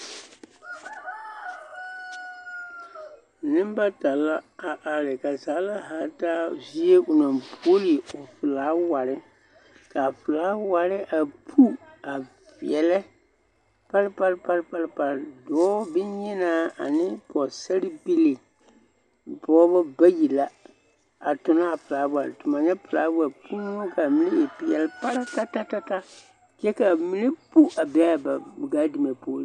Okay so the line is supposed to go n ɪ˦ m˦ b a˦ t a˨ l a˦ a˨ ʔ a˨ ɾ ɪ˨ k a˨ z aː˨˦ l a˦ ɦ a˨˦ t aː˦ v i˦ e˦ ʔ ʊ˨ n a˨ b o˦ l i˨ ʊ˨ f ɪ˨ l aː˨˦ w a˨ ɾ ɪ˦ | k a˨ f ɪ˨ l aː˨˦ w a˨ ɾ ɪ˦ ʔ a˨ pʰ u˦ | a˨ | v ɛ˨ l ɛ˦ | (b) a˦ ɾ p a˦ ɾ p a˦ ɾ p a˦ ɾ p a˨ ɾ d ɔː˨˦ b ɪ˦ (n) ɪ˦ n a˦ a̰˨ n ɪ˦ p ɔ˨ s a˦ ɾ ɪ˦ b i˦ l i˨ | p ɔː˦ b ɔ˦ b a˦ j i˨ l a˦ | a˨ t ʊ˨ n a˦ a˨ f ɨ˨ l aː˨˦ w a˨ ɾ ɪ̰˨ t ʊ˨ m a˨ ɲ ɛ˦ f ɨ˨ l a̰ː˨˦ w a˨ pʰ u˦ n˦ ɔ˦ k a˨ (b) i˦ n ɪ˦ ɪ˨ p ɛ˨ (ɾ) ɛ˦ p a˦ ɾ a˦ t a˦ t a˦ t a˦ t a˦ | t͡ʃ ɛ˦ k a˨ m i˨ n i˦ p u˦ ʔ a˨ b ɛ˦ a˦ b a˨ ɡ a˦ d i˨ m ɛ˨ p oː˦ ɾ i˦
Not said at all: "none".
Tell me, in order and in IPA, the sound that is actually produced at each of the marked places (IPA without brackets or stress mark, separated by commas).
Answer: p, ɲ, m, l